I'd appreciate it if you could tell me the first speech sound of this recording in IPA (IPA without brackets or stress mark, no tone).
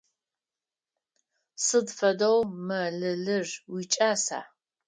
s